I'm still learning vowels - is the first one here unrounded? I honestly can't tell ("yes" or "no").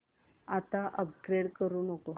yes